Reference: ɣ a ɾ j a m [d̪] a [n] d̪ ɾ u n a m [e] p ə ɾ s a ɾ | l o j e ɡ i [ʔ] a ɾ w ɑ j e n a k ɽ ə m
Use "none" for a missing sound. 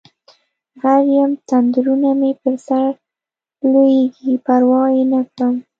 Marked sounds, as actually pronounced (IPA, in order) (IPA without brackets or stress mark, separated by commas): t̪, n, e, p